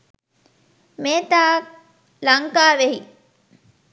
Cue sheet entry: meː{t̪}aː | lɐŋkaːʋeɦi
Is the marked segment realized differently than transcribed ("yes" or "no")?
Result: no